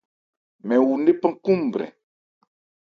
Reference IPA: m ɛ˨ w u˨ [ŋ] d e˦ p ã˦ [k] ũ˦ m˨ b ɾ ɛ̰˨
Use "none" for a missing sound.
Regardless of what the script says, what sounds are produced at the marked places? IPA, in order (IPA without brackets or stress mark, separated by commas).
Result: n, k